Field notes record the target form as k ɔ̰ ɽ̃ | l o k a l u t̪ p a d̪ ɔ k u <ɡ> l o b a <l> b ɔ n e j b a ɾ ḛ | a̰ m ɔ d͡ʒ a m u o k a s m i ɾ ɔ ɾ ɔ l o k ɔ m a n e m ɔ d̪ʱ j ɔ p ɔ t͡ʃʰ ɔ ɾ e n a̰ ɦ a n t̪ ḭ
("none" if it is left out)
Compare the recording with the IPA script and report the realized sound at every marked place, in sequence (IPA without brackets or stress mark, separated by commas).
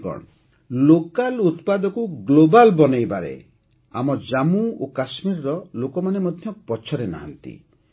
ɡ, l